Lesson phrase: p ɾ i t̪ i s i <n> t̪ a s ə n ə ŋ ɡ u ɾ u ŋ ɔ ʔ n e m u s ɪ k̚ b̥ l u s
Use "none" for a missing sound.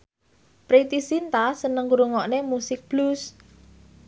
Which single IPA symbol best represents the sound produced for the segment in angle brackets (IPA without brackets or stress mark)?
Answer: n